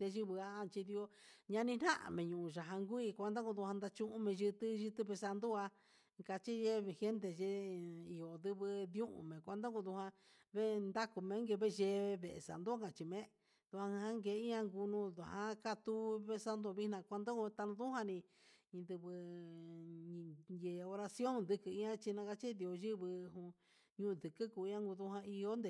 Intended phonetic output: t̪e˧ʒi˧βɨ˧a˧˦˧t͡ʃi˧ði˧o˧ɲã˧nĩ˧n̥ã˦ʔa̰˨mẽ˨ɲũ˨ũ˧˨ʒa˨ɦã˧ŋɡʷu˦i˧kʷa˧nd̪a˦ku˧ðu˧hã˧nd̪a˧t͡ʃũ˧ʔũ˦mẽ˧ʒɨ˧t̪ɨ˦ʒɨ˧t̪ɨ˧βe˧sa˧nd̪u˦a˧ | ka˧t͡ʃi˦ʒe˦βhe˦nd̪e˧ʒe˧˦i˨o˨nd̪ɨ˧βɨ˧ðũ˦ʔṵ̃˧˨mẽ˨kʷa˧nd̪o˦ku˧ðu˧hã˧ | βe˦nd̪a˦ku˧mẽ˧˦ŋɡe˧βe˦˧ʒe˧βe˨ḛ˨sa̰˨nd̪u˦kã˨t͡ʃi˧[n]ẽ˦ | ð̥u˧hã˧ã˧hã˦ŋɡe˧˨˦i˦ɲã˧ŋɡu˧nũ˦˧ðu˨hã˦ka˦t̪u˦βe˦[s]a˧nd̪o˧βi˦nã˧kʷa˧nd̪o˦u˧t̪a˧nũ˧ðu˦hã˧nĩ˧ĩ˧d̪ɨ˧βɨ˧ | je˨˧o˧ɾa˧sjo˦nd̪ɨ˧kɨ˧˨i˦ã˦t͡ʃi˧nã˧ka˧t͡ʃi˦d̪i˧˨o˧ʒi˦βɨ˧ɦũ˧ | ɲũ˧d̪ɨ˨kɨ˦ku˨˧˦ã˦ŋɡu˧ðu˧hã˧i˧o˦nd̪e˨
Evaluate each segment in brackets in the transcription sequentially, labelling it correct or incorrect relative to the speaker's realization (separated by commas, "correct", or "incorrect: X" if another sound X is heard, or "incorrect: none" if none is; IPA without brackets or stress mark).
incorrect: m, correct